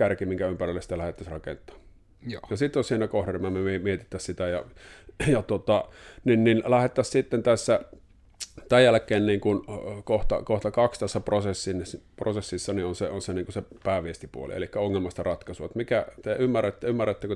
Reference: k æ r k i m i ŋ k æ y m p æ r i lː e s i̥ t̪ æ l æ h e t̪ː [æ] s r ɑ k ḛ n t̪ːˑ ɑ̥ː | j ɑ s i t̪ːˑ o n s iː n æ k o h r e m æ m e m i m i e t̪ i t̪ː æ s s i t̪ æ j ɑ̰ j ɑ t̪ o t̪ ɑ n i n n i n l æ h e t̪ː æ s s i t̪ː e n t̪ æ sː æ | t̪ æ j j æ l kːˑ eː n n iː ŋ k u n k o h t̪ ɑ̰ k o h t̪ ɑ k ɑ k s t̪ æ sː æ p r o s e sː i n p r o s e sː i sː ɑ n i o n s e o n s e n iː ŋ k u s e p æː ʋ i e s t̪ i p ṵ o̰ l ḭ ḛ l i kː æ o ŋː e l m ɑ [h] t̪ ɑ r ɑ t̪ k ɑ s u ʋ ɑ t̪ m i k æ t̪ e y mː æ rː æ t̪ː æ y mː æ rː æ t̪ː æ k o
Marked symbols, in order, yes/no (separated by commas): yes, no